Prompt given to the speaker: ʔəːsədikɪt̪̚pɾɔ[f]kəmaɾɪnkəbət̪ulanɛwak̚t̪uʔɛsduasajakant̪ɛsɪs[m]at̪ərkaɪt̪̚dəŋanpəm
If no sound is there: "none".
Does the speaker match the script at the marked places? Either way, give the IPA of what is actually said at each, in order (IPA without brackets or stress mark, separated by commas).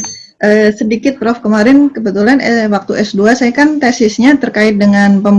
f, ɲ